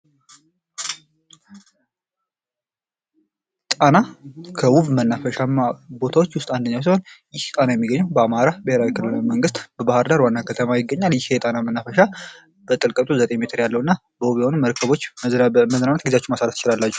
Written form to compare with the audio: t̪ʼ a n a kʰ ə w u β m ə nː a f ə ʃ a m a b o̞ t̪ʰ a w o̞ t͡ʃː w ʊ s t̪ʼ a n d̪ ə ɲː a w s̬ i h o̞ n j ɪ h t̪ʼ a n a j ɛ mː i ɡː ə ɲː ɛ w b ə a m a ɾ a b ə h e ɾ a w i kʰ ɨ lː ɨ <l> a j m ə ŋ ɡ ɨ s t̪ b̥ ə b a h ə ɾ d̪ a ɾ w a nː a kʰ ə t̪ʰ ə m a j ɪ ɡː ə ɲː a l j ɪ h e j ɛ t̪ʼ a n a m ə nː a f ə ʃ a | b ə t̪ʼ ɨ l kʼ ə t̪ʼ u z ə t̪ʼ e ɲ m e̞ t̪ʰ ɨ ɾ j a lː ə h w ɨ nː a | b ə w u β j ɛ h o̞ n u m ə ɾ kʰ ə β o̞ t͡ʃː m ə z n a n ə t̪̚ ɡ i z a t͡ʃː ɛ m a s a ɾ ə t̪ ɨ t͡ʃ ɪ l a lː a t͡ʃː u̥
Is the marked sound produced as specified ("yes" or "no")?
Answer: yes